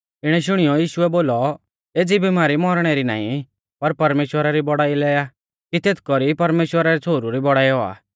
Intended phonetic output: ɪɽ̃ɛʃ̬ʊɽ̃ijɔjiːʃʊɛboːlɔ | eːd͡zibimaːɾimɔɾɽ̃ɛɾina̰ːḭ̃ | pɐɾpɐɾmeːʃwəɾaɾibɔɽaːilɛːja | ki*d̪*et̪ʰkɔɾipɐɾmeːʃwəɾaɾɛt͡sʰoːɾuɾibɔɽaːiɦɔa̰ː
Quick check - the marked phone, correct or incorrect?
incorrect: t̪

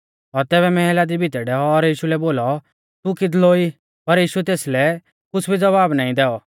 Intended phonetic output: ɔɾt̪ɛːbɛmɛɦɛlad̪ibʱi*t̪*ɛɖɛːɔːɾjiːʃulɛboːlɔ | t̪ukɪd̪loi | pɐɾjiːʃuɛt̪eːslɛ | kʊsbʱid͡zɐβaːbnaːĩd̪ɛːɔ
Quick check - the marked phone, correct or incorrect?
correct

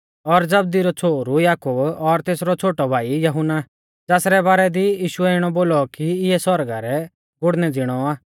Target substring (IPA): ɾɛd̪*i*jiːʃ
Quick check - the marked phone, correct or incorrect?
correct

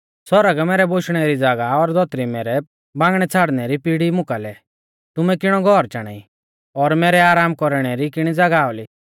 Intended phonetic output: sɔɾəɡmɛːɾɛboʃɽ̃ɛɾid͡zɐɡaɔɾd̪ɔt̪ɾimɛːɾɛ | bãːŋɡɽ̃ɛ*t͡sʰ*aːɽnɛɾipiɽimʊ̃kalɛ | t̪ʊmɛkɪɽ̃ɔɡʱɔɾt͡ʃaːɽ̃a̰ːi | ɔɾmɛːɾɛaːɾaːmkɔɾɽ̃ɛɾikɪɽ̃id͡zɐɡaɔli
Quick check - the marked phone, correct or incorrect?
correct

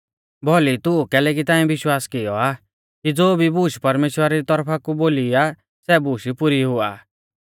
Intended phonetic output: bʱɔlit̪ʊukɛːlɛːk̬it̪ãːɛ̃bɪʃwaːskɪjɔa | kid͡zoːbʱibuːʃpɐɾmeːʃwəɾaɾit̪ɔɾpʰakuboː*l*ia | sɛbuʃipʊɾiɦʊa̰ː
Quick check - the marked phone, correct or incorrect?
correct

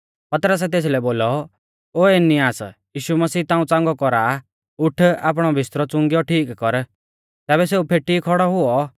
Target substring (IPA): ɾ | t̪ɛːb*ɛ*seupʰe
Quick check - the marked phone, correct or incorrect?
correct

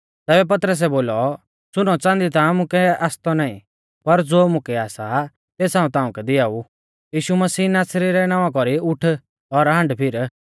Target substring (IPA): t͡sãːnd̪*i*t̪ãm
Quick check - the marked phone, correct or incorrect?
correct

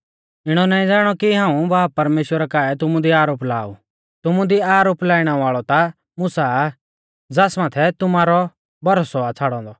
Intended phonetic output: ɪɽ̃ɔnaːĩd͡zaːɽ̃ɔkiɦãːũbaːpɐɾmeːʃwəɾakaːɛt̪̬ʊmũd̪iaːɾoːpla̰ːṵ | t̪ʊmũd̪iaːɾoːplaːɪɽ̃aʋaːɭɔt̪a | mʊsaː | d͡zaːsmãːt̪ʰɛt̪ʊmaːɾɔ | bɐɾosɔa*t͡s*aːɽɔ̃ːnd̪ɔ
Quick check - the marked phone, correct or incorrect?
incorrect: t͡sʰ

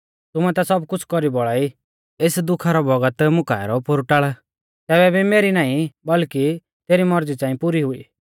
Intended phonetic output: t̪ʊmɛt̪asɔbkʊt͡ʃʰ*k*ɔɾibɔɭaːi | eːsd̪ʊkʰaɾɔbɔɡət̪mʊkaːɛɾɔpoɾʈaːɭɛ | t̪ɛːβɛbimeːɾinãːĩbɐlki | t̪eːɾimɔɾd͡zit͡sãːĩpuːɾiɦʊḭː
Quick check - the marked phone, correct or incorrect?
correct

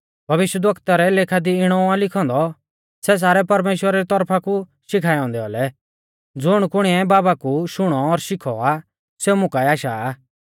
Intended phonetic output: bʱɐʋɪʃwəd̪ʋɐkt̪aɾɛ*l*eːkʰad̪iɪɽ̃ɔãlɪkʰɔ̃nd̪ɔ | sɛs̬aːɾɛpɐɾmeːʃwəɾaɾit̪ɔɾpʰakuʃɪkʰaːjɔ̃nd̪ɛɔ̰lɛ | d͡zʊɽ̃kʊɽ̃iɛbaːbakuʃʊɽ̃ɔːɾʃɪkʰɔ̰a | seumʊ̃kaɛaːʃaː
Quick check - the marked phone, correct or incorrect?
correct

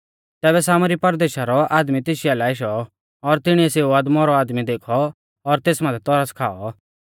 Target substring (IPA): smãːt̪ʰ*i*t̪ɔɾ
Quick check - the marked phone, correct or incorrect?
incorrect: ɛ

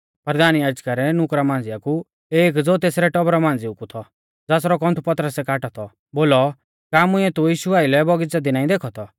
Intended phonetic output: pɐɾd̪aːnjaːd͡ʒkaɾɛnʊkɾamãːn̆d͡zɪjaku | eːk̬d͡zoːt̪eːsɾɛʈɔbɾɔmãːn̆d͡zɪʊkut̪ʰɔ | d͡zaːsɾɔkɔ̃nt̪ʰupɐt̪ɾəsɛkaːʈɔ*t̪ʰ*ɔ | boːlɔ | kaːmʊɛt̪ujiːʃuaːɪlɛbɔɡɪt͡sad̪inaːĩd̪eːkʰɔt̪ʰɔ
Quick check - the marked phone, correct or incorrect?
correct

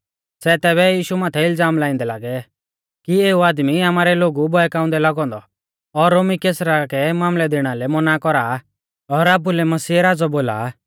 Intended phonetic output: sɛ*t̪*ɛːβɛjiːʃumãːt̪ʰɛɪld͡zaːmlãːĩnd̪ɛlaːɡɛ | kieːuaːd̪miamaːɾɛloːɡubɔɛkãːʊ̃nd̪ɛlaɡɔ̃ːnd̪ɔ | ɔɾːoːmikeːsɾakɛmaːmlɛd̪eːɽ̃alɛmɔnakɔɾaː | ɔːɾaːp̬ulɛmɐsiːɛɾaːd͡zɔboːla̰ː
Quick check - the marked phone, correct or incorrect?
correct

